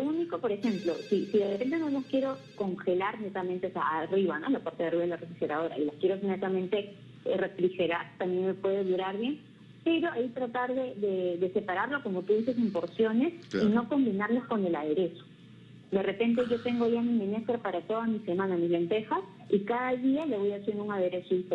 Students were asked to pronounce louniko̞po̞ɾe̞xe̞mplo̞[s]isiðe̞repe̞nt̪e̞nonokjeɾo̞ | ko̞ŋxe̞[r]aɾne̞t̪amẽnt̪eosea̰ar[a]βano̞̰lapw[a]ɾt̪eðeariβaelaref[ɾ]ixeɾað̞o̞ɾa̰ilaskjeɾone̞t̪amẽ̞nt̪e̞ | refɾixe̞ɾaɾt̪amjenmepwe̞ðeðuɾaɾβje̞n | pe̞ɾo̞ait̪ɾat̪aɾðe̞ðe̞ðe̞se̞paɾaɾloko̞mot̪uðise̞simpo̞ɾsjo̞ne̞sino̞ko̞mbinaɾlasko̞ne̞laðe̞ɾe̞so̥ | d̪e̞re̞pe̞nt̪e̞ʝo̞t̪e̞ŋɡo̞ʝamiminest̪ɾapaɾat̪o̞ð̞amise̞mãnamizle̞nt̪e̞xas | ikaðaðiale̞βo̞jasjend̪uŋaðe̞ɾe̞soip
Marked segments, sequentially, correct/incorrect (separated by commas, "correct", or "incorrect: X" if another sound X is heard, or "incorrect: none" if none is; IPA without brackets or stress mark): correct, incorrect: l, incorrect: i, correct, correct